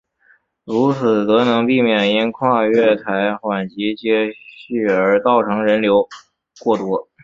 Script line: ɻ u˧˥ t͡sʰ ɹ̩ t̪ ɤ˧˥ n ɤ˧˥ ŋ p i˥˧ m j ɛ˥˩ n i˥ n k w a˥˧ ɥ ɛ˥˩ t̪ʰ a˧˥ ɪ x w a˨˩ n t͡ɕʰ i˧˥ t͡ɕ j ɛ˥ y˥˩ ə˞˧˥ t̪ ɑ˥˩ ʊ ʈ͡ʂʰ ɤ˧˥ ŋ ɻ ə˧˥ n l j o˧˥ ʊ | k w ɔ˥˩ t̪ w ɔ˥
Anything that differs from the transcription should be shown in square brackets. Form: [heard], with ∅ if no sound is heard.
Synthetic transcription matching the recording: ɻ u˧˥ t͡sʰ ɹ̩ t̪ ɤ˧˥ n ɤ˧˥ ŋ p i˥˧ m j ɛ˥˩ n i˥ n [kʰ] w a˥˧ ɥ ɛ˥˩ t̪ʰ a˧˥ ɪ x w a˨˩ n [t͡ɕ] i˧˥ t͡ɕ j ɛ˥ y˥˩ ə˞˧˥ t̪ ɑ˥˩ ʊ ʈ͡ʂʰ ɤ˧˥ ŋ ɻ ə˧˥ n l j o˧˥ ʊ | k w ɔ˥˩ t̪ w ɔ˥

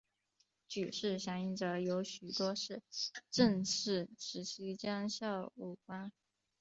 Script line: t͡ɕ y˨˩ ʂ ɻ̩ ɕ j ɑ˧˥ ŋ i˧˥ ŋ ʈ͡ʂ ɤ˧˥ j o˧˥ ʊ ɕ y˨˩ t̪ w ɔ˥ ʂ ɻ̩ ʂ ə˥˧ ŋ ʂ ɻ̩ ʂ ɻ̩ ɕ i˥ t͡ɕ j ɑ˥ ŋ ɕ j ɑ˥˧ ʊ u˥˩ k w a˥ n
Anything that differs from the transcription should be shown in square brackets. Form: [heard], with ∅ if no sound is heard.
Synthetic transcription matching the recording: t͡ɕ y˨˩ ʂ ɻ̩ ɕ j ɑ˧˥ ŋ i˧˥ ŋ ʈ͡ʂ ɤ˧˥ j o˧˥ ʊ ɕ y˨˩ t̪ w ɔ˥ ʂ ɻ̩ [ʈ͡ʂ] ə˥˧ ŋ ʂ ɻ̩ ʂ ɻ̩ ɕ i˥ t͡ɕ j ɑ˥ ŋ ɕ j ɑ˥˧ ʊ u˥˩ k w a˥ n

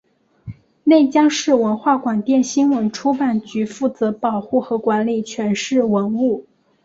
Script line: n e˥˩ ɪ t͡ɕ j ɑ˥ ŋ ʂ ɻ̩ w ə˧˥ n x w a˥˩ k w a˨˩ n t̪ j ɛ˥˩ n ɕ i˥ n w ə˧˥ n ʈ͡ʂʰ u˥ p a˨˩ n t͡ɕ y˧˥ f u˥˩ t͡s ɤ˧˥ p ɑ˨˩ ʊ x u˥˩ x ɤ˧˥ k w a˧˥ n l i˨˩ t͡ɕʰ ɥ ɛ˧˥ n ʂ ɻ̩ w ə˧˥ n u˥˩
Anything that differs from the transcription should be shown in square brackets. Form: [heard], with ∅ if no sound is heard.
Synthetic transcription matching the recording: n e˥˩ ɪ t͡ɕ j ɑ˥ ŋ ʂ ɻ̩ w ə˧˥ n x w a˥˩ k w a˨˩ n t̪ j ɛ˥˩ n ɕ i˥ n w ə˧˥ n ʈ͡ʂʰ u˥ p a˨˩ n t͡ɕ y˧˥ f u˥˩ t͡s ɤ˧˥ p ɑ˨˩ ʊ x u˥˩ x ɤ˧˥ k w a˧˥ n l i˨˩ t͡ɕʰ ɥ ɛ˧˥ n ʂ ɻ̩ w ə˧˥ n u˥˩

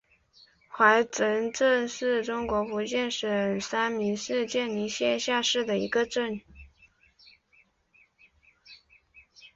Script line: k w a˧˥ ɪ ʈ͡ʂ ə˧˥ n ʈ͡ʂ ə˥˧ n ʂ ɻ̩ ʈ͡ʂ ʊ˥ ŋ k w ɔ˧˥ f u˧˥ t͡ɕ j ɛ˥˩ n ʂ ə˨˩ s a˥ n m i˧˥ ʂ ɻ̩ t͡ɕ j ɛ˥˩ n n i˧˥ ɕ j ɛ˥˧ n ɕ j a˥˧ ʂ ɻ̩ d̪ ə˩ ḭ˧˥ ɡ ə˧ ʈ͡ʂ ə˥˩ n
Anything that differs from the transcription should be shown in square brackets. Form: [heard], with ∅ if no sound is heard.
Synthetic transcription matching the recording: [x] w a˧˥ ɪ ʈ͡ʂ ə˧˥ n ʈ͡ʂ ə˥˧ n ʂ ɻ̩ ʈ͡ʂ ʊ˥ ŋ k w ɔ˧˥ f u˧˥ t͡ɕ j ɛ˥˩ n ʂ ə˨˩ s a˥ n m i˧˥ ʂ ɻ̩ t͡ɕ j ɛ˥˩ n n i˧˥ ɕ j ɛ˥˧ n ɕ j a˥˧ ʂ ɻ̩ d̪ ə˩ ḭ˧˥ ɡ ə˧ ʈ͡ʂ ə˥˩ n

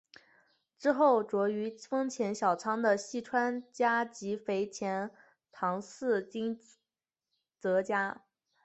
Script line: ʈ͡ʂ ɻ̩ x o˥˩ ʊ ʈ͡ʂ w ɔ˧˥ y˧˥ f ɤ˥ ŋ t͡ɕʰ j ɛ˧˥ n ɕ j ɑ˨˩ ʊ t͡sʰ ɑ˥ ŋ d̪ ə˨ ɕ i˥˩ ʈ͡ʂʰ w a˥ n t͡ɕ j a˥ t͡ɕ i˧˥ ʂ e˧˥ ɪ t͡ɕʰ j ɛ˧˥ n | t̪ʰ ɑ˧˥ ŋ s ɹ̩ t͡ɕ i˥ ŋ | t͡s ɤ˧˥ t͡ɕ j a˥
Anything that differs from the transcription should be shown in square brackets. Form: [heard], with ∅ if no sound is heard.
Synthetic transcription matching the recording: ʈ͡ʂ ɻ̩ x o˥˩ ʊ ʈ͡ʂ w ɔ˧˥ y˧˥ f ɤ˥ ŋ t͡ɕʰ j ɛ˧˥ n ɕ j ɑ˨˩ ʊ t͡sʰ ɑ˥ ŋ d̪ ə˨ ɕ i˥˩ ʈ͡ʂʰ w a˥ n t͡ɕ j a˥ t͡ɕ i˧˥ [f] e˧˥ ɪ t͡ɕʰ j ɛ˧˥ n | t̪ʰ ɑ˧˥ ŋ s ɹ̩ t͡ɕ i˥ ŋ | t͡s ɤ˧˥ t͡ɕ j a˥

